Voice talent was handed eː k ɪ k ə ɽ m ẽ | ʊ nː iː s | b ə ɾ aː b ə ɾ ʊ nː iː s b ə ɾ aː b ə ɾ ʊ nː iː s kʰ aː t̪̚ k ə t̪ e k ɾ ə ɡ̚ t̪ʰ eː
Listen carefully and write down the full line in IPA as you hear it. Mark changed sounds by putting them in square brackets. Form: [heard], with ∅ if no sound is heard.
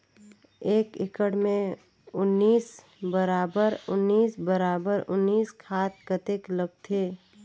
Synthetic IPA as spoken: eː k ɪ k ə ɽ m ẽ | ʊ nː iː s | b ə ɾ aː b ə ɾ ʊ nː iː s b ə ɾ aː b ə ɾ ʊ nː iː s kʰ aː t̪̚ k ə t̪ e k [l] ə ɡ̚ t̪ʰ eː